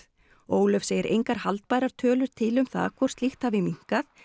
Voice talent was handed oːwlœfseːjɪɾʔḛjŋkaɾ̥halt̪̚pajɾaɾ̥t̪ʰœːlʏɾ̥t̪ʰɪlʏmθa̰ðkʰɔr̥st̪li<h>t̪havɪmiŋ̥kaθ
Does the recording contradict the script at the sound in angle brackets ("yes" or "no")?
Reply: yes